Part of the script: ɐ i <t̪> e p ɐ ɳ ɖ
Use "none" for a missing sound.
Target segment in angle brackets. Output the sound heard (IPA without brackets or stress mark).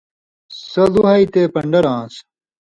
t̪